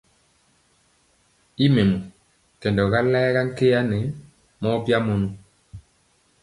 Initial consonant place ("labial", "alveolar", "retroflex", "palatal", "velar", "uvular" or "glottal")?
labial